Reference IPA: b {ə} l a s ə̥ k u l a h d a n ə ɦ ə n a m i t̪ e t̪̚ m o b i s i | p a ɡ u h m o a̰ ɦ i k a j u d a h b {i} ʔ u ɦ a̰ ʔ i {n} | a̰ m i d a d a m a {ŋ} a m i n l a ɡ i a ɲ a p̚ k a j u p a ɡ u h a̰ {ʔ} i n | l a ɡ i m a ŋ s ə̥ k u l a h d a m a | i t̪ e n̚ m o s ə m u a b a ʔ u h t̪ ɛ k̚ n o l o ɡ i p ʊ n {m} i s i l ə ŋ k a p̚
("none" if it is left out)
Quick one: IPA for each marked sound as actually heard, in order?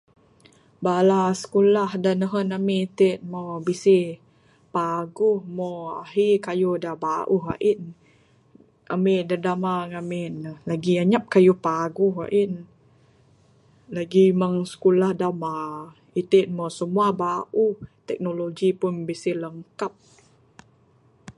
a, a, n, ŋ, ʔ, b

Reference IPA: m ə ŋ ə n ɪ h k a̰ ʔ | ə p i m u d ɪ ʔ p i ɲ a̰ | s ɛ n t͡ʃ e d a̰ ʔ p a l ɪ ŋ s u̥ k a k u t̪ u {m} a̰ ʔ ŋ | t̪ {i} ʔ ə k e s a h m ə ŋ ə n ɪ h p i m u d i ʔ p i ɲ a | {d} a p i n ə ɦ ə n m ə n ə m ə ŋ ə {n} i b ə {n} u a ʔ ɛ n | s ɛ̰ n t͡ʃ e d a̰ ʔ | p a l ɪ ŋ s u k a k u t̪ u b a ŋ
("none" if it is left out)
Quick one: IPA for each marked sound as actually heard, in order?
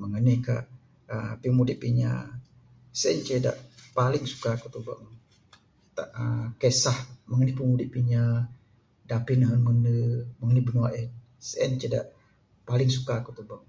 b, a, d, n, n

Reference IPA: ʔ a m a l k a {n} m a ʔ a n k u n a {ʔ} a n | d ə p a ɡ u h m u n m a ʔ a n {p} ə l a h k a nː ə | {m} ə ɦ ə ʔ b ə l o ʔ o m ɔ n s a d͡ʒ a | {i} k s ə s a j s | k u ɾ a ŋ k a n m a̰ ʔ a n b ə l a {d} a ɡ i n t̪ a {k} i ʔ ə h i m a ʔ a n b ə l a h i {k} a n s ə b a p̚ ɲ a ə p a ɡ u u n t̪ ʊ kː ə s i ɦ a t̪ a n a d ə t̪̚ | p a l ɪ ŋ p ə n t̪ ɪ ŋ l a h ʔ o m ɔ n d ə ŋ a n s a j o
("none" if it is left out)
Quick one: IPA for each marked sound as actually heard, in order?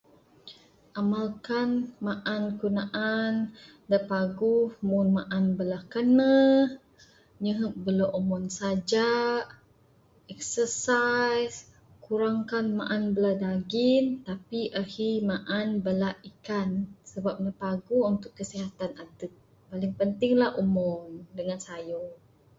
n, ʔ, b, ɲ, ɛ, d, p, k

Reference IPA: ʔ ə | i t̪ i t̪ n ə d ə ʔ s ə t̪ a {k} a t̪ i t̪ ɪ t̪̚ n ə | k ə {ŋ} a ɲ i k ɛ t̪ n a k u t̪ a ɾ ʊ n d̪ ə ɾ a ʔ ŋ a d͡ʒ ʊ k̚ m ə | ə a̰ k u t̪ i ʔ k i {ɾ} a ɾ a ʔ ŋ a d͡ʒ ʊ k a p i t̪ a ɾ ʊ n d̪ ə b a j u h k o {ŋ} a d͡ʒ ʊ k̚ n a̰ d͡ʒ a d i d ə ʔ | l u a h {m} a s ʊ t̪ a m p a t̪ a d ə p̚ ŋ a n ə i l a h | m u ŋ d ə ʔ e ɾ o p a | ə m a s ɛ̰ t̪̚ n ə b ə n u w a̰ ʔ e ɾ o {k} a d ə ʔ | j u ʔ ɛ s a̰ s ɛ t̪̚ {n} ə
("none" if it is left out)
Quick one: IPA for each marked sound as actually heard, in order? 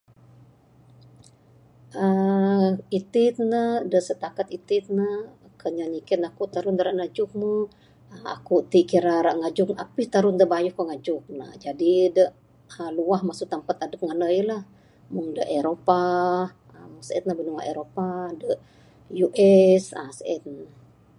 k, ɲ, ɾ, ŋ, m, p, n

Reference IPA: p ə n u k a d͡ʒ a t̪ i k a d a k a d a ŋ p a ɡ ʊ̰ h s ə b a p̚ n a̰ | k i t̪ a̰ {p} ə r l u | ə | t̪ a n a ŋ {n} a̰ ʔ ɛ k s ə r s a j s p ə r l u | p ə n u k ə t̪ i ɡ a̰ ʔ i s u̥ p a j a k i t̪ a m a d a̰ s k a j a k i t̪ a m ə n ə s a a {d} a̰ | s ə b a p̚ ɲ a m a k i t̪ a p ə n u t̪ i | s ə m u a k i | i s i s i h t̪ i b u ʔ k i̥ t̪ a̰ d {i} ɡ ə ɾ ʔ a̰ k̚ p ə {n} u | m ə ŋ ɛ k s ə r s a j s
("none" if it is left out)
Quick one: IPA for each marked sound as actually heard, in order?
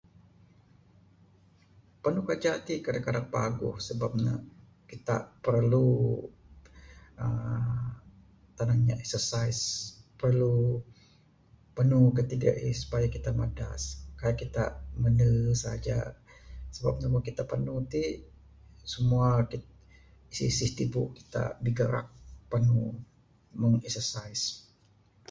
p, ɲ, d͡ʒ, i, n

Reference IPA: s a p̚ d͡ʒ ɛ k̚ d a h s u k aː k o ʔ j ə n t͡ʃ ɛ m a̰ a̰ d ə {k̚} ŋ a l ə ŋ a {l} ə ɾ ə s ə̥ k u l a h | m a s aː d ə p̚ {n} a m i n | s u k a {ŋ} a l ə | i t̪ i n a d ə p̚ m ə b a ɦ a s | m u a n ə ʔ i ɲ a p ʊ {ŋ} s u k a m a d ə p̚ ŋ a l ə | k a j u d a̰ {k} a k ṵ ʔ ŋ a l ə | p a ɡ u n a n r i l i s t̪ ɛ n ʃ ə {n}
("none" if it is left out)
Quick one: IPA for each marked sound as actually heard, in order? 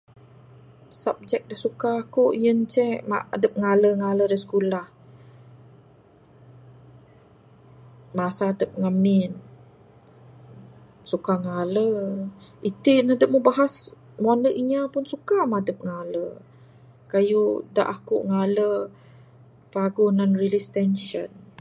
p̚, l, ŋ, ŋ, n, ʔ, n

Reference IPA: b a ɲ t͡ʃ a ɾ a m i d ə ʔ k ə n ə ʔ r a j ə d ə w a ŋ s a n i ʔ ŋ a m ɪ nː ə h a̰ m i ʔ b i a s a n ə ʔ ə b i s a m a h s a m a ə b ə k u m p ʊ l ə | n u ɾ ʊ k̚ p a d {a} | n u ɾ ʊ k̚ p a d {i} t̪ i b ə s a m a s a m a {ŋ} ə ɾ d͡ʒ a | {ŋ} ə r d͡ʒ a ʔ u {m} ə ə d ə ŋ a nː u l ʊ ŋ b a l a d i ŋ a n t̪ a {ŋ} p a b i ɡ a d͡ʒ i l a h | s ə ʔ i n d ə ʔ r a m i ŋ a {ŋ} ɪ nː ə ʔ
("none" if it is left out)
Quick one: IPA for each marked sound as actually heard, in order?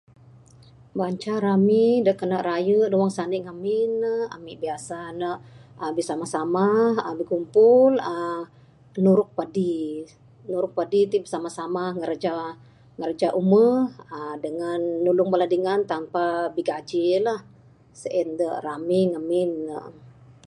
i, i, ŋ, ŋ, m, m, m

